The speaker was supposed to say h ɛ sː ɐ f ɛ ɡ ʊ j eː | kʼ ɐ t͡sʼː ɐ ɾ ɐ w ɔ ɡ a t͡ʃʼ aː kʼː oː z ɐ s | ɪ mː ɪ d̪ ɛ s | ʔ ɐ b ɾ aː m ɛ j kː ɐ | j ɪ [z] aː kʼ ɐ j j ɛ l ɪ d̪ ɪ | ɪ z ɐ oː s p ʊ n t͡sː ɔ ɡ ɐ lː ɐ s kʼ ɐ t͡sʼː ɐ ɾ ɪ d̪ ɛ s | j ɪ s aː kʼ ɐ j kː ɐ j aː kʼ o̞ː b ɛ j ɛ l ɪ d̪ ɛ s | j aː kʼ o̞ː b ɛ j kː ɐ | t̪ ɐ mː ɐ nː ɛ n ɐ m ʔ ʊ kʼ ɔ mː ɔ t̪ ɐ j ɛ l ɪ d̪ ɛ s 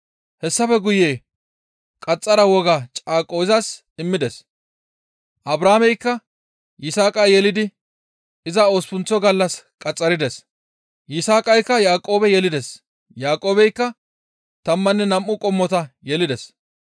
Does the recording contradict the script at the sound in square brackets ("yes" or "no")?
yes